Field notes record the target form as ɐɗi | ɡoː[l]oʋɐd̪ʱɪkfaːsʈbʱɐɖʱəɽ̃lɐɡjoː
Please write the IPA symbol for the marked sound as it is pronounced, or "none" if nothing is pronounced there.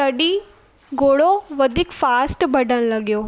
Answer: ɽ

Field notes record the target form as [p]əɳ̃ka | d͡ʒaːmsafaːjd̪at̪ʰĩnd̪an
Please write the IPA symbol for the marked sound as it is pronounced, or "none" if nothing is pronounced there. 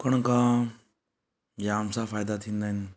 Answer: k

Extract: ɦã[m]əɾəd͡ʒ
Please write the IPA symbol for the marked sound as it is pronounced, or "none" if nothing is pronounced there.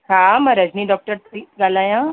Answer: m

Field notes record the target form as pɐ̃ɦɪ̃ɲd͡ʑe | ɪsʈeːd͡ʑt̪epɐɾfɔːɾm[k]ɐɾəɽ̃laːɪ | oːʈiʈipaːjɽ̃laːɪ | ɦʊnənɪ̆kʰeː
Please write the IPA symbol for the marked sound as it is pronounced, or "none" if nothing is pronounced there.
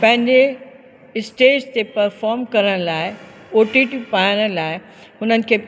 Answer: k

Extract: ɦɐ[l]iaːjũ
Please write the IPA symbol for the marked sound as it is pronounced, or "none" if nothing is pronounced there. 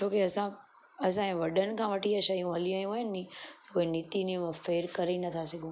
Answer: l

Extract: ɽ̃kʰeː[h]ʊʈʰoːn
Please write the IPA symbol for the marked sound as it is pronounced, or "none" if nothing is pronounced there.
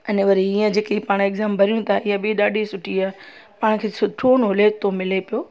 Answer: s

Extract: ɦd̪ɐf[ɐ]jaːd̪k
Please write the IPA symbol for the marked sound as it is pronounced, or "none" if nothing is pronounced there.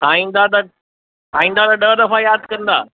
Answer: a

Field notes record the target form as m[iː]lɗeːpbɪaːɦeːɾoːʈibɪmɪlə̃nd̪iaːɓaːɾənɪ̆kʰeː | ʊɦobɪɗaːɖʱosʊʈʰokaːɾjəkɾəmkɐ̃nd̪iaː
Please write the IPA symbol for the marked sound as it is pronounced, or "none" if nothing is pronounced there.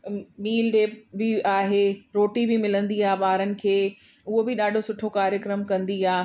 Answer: iː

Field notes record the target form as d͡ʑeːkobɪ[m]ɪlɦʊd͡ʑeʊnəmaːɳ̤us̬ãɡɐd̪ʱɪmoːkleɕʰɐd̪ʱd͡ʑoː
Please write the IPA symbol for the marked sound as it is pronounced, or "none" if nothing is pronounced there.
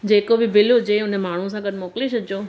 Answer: b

